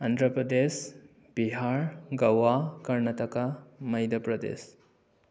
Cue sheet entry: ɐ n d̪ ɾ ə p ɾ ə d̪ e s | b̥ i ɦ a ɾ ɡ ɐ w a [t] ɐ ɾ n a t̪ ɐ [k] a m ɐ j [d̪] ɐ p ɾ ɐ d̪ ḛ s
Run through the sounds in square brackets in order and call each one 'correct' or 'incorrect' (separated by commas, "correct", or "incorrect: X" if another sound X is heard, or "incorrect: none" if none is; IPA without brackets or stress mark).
incorrect: k, correct, correct